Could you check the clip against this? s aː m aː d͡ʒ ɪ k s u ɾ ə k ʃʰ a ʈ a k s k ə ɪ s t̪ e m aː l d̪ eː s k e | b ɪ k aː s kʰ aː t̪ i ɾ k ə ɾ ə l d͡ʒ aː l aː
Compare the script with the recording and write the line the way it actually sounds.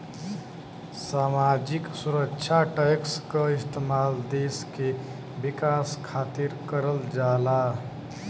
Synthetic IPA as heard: s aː m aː d͡ʒ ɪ k s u ɾ ə k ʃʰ a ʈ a k s k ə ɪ s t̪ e m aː l d̪ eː s k e | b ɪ k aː s kʰ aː t̪ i ɾ k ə ɾ ə l d͡ʒ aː l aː